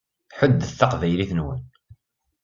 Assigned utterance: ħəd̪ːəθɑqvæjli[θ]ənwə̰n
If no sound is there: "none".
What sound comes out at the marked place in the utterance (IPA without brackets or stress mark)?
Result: θ